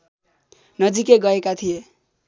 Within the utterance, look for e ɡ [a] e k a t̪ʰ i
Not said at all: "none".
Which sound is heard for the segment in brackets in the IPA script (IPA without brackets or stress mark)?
ʌ